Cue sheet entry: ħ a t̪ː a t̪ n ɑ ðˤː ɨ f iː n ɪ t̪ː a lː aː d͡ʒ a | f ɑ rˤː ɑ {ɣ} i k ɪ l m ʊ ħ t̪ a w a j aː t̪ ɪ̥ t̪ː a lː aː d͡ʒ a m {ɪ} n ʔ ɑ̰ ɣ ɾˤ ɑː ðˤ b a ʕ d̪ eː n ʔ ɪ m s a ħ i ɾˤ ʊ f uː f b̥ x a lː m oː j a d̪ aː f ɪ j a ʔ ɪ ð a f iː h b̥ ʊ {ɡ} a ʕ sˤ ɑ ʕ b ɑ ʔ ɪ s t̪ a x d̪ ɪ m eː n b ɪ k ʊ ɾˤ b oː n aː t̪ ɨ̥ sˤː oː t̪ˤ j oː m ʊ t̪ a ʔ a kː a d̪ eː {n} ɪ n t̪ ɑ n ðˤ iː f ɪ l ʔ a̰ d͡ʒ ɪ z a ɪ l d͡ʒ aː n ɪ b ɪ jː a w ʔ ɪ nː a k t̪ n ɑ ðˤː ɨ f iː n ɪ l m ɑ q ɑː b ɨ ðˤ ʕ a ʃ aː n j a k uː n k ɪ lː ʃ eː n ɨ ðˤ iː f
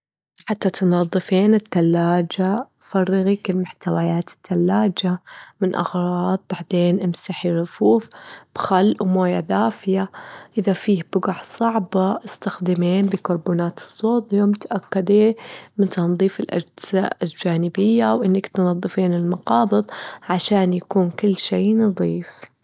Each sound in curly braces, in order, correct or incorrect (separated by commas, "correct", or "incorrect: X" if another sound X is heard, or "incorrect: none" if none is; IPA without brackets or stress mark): correct, correct, correct, incorrect: m